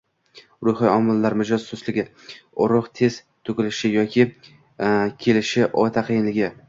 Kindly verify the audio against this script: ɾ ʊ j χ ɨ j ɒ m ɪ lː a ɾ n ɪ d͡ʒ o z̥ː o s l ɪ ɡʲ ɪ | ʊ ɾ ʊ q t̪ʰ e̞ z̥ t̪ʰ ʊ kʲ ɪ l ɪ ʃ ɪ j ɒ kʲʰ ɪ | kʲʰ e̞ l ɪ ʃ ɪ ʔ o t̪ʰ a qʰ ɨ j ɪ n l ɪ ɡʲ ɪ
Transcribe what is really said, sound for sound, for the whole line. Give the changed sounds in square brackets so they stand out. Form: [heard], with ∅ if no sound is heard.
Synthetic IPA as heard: ɾ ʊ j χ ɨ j ɒ m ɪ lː a ɾ [m] ɪ d͡ʒ [ɒ] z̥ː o s l ɪ ɡʲ ɪ | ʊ ɾ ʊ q t̪ʰ e̞ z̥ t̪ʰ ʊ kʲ ɪ l ɪ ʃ ɪ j ɒ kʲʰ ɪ | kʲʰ e̞ l ɪ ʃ ɪ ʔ [ɒ] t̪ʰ a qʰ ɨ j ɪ n l ɪ ɡʲ ɪ